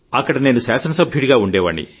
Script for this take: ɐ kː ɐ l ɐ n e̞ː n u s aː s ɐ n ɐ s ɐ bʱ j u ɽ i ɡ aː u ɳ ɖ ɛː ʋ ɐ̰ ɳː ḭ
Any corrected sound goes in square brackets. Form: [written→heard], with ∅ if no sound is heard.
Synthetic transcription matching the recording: ɐ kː ɐ [l→ɽ] ɐ n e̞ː n u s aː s ɐ n ɐ s ɐ bʱ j u ɽ i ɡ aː u ɳ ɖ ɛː ʋ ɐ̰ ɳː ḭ